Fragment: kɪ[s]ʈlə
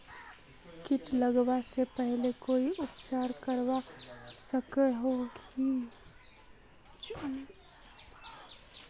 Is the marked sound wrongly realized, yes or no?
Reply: yes